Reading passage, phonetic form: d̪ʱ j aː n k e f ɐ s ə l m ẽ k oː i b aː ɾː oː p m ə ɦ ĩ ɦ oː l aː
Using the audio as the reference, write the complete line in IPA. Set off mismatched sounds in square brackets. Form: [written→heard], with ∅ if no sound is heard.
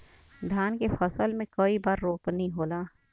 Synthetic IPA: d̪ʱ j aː n k e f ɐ s ə l m ẽ k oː i b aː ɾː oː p [m→n] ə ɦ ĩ ɦ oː l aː

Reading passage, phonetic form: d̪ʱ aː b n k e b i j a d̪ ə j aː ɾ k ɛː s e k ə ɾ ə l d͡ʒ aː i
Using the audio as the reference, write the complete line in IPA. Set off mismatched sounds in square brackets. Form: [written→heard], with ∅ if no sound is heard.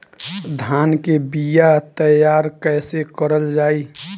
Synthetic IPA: d̪ʱ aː [b→∅] n k e b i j a [d̪→t̪] ə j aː ɾ k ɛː s e k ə ɾ ə l d͡ʒ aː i

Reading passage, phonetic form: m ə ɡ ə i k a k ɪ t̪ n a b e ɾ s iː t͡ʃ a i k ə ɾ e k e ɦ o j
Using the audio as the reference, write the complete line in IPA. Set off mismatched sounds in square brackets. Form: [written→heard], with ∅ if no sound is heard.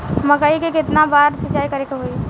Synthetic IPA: m ə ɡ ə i k [a→e] k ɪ t̪ n a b [e→a] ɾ s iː t͡ʃ a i k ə ɾ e k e ɦ o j

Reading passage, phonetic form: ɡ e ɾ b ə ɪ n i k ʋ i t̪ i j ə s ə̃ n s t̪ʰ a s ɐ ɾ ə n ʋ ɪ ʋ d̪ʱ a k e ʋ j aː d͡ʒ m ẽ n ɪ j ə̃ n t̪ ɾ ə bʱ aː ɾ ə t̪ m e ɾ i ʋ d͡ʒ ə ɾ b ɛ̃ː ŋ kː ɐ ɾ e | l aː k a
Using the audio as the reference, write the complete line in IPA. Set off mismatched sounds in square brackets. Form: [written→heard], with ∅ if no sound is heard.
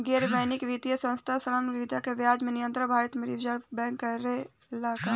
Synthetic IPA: ɡ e ɾ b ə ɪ n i k ʋ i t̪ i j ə s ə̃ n s t̪ʰ a s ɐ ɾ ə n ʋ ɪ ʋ d̪ʱ a k e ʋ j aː d͡ʒ m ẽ n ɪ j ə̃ n t̪ ɾ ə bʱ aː ɾ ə t̪ m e ɾ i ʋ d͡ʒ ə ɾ b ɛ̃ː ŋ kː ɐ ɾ e | l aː k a

